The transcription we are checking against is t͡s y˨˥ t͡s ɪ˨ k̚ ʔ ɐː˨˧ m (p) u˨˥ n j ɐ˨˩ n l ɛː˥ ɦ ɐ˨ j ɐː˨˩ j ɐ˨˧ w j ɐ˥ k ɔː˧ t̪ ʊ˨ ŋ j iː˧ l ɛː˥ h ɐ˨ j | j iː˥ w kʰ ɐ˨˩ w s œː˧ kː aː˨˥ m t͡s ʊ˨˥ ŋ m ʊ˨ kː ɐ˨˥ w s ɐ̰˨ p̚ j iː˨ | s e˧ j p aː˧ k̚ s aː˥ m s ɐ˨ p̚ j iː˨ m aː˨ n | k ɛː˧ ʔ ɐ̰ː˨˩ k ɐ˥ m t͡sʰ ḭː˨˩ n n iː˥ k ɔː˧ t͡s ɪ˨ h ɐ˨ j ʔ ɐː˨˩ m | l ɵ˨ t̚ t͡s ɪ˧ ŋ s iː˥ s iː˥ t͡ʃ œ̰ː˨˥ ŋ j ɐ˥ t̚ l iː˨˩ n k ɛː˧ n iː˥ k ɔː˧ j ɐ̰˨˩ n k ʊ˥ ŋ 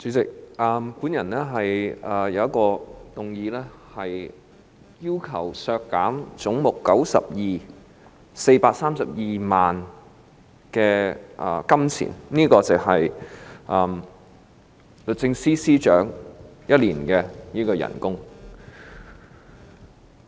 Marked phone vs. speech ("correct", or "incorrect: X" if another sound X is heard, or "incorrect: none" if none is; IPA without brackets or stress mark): incorrect: k